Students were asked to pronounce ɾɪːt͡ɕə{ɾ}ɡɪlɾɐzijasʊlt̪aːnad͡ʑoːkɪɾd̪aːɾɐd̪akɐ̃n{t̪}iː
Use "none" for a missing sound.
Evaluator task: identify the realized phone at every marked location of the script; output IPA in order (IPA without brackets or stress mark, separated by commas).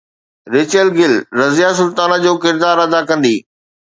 l, d̪